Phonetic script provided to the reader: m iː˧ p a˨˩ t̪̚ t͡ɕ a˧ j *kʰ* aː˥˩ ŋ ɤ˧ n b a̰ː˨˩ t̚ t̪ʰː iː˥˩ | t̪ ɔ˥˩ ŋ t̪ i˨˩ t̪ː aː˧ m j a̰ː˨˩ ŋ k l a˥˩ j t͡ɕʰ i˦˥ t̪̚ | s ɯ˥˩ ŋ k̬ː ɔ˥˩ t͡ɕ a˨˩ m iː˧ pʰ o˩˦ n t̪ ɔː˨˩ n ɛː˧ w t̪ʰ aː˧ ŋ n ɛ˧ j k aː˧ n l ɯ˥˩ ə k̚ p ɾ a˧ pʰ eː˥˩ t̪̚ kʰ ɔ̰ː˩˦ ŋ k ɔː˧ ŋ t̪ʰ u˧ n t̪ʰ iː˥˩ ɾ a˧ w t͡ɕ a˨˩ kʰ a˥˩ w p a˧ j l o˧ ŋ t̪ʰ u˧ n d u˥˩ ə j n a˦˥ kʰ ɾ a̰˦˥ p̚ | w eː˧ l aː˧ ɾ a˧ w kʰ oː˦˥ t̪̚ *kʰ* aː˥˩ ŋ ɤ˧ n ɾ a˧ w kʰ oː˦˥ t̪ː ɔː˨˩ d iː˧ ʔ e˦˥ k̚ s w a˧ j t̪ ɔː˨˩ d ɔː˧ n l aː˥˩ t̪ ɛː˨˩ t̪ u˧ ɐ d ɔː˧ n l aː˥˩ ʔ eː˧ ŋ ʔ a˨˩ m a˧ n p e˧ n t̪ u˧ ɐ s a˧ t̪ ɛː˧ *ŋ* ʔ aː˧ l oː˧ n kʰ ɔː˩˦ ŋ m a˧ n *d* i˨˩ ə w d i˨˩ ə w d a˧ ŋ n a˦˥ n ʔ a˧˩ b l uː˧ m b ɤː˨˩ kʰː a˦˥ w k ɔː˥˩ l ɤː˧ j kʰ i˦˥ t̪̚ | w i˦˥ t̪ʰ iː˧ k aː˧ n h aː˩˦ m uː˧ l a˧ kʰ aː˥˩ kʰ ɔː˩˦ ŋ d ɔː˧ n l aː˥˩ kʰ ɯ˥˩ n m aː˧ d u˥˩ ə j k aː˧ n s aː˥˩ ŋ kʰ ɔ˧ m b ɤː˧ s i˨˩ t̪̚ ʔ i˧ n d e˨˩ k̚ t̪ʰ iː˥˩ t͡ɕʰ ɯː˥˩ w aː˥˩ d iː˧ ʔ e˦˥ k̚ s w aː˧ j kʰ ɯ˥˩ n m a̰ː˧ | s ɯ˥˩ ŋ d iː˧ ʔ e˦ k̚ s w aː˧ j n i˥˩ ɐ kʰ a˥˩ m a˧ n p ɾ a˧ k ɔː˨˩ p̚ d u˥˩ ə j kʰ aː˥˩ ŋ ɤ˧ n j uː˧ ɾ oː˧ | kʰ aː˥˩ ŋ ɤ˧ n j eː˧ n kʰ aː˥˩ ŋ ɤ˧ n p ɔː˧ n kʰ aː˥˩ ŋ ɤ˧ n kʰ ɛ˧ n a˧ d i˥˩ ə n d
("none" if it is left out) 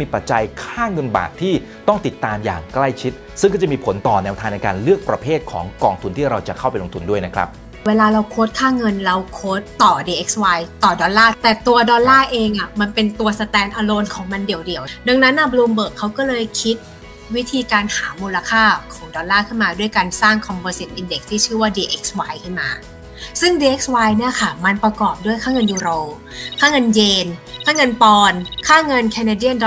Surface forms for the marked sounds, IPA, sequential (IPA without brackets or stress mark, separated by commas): kʰ, kʰ, n, d